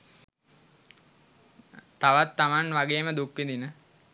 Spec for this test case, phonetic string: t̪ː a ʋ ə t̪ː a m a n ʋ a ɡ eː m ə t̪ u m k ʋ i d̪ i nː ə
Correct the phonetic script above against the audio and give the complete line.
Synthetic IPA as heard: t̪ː a ʋ a t̪ː a m a n ʋ a ɡ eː m ə d̪ u k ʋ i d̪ i n ə